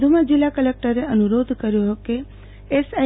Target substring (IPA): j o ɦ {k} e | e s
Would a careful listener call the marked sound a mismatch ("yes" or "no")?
no